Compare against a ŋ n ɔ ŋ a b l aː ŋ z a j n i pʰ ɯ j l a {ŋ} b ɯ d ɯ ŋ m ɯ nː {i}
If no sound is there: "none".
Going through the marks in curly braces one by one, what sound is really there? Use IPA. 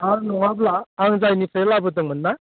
none, a

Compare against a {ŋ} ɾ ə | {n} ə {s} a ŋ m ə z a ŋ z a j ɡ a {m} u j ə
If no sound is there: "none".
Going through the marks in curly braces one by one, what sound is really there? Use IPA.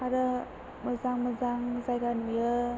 none, m, z, n

